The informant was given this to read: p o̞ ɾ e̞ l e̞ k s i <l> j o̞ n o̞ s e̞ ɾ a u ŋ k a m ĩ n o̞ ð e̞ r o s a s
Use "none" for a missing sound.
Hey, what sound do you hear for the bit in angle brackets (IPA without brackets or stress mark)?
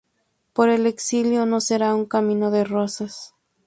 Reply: l